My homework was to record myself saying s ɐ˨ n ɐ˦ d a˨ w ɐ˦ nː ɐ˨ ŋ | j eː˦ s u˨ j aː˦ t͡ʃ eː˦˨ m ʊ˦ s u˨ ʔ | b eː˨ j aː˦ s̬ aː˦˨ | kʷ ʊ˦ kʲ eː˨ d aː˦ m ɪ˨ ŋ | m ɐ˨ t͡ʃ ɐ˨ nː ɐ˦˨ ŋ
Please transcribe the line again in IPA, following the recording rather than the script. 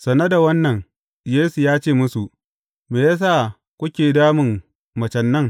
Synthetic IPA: s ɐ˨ n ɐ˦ d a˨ w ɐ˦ nː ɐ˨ ŋ | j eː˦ s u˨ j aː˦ t͡ʃ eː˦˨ m ʊ˦ s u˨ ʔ | m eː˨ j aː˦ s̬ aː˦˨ | kʷ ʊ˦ kʲ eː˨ d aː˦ m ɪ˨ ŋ | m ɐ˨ t͡ʃ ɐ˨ nː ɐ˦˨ ŋ